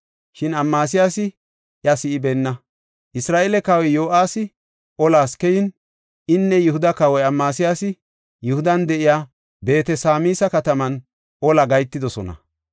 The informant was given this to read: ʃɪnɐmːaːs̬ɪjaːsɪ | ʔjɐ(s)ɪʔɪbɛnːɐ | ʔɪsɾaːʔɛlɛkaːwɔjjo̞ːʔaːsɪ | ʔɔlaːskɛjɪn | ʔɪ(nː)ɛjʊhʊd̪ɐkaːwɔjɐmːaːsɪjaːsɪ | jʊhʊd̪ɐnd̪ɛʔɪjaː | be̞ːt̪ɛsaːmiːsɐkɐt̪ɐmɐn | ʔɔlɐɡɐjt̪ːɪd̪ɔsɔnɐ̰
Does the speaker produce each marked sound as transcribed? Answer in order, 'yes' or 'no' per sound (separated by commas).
yes, yes